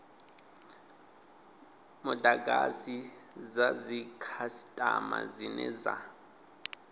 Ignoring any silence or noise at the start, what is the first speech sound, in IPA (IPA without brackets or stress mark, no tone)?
m